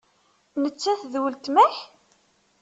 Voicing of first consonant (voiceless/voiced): voiced